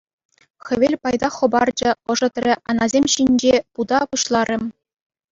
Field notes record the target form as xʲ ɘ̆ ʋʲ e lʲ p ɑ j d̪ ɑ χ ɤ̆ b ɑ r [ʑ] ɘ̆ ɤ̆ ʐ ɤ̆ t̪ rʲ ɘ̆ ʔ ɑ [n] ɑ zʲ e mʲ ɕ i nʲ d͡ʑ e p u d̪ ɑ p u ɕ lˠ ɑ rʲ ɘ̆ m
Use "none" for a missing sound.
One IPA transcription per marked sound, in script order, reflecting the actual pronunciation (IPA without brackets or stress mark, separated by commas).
d͡ʑ, n